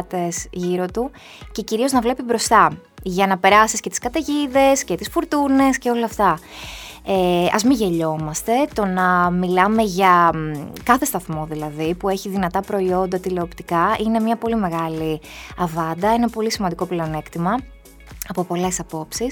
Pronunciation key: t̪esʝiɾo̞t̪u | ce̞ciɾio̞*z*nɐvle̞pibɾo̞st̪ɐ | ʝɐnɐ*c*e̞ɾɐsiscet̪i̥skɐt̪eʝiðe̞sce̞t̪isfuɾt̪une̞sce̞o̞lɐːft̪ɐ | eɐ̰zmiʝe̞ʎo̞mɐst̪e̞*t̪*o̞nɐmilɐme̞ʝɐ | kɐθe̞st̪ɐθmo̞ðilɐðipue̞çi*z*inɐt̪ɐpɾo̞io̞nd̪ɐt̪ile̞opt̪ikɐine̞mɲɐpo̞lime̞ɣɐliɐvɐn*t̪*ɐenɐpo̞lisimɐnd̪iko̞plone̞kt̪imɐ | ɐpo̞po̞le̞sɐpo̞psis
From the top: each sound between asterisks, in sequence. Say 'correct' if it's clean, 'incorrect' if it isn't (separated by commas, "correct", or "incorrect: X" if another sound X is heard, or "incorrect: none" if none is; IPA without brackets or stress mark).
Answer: correct, incorrect: p, correct, incorrect: ð, incorrect: d̪